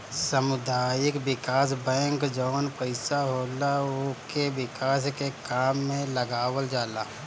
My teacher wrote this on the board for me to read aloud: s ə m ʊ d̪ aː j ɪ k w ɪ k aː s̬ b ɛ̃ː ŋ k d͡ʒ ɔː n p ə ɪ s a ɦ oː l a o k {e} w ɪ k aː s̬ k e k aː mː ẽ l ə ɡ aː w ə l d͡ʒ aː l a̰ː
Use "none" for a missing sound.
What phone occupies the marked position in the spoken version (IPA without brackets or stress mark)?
e